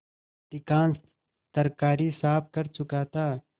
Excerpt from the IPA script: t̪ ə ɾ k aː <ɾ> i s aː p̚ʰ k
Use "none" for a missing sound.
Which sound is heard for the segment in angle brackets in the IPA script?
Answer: ɾ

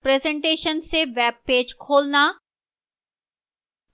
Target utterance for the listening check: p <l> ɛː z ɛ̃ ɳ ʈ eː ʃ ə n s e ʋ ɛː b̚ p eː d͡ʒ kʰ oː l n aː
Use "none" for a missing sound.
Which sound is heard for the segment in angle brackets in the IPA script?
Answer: ɾ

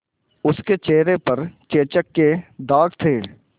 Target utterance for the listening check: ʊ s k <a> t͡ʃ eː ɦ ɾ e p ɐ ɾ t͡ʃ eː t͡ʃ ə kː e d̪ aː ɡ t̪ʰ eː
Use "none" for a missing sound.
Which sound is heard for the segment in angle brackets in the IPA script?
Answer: e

